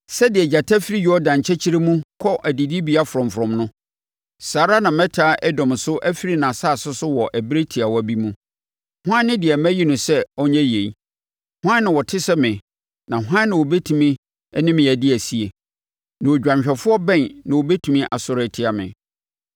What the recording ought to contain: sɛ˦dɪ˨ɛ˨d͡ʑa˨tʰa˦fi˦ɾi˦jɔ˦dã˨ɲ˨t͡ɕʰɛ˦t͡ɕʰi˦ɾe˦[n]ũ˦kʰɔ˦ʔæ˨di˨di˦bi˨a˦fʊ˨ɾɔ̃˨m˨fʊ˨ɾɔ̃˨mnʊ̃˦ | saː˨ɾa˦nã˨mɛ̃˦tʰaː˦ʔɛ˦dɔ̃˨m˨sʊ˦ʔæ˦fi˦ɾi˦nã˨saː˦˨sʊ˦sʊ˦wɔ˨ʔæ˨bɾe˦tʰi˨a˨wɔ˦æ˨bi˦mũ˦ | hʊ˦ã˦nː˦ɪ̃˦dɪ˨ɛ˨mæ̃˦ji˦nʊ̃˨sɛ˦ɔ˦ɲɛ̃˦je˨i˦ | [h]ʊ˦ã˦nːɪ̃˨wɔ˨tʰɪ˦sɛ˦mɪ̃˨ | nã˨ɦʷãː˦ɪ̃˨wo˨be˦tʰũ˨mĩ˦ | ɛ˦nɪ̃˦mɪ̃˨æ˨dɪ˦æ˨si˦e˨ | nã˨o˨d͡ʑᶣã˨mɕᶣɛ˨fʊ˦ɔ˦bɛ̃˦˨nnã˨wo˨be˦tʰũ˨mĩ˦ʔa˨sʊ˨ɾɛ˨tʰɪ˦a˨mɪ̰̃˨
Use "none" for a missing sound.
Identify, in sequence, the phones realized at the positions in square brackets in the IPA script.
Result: m, h

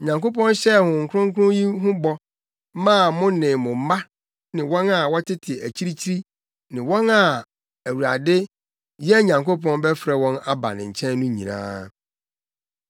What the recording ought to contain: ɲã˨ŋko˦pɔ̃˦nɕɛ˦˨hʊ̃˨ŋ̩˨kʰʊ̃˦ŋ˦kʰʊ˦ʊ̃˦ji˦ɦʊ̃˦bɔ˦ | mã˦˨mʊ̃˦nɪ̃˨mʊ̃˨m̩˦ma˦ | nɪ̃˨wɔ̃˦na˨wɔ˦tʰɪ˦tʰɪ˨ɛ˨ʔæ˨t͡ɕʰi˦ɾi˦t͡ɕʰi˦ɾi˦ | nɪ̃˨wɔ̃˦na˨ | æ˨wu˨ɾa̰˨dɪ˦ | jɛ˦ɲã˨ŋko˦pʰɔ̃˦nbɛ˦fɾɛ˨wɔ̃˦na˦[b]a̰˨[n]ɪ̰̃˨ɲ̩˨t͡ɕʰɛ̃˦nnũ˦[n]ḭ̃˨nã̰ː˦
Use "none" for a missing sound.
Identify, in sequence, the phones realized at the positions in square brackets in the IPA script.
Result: b, n, ɲ

